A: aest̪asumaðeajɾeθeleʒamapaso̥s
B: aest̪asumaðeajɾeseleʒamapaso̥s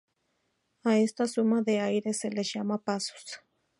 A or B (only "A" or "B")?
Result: B